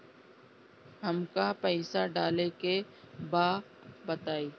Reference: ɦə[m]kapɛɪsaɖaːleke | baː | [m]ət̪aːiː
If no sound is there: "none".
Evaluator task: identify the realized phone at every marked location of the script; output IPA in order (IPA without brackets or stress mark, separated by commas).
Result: m, b